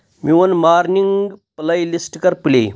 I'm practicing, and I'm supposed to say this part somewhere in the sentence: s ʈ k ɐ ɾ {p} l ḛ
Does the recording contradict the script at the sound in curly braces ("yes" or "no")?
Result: no